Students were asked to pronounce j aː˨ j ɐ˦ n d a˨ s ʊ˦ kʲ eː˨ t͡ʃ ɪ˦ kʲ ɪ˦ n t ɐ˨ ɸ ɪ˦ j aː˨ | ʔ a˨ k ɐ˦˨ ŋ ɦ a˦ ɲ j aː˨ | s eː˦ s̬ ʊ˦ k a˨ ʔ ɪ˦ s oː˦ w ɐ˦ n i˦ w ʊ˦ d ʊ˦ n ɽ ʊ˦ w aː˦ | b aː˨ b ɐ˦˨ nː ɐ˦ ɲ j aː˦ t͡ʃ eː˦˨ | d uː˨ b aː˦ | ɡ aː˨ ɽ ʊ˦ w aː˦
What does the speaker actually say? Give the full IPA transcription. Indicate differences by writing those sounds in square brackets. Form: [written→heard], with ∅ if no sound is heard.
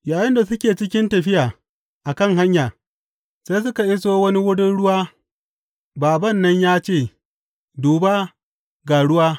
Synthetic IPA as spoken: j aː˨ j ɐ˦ n d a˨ s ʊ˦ kʲ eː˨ t͡ʃ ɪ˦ kʲ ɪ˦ n t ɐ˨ ɸ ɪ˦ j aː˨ | ʔ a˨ k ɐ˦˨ ŋ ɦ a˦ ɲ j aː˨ | s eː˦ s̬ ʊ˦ k a˨ ʔ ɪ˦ s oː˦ w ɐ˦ n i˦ w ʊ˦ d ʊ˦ n ɽ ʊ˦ w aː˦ | b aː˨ b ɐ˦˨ nː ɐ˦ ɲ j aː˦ t͡ʃ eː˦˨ | d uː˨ b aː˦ | ɡ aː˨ ɽ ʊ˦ w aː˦